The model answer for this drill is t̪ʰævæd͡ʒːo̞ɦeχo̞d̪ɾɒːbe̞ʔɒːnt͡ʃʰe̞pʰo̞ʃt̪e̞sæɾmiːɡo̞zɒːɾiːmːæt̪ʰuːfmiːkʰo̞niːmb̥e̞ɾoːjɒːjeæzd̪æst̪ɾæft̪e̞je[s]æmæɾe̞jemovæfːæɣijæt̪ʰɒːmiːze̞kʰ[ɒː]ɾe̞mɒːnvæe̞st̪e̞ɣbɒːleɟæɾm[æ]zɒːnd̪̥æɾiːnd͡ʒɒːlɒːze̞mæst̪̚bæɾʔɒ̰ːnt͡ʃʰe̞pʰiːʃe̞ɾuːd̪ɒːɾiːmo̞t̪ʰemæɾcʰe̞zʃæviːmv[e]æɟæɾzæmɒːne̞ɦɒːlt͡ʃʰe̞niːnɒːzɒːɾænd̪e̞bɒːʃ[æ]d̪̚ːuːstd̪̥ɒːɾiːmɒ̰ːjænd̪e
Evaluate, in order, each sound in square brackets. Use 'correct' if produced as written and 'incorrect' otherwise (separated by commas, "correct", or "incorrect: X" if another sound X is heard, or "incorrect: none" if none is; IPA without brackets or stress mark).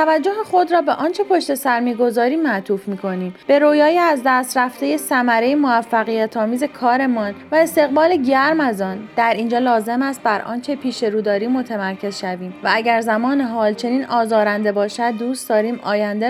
correct, correct, correct, incorrect: æ, correct